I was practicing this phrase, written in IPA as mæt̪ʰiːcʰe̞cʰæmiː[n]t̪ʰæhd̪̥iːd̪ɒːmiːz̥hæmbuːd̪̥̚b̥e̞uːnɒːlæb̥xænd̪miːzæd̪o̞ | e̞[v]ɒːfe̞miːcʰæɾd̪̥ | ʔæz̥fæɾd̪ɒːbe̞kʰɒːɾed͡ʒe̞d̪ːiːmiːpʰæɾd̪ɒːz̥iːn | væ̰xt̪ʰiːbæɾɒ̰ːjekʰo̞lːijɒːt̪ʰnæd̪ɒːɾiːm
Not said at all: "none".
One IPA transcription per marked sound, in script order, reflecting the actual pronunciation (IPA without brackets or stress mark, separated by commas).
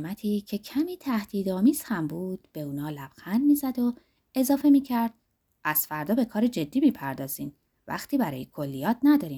none, z